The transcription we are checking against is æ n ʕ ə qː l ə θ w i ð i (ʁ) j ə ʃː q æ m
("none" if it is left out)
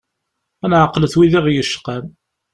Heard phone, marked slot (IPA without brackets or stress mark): ʁ